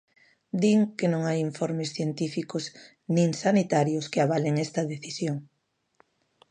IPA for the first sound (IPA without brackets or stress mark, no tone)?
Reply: d̪